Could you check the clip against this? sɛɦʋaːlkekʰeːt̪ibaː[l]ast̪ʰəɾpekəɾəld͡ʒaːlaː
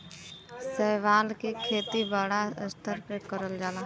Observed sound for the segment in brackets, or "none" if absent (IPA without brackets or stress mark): ɽ